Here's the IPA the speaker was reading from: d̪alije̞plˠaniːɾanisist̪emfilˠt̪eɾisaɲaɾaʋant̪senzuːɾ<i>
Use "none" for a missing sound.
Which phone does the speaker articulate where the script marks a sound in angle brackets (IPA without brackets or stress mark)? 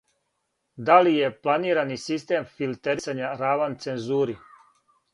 i